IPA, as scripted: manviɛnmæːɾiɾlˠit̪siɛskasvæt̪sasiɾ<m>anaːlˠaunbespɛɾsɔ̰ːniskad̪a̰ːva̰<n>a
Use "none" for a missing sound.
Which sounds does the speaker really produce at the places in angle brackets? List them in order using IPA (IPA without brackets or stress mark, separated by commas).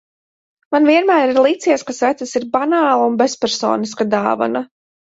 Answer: b, n